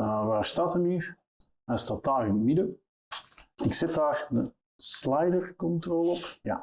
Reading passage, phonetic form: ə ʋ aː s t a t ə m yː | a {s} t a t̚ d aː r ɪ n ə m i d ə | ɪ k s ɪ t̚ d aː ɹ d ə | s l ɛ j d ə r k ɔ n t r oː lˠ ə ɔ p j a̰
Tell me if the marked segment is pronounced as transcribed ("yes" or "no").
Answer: yes